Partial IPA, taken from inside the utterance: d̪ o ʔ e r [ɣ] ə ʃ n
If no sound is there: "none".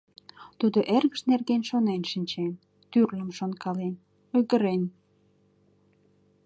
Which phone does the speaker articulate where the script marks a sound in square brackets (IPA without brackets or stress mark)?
ɣ